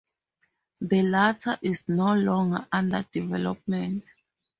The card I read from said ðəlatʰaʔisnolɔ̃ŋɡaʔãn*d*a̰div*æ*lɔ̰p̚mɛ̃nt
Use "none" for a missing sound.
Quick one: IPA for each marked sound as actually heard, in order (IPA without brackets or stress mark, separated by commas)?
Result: d, ɛ